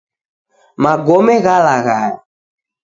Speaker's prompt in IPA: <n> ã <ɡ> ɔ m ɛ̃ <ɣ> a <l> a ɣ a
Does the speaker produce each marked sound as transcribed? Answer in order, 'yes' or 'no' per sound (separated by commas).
no, yes, yes, yes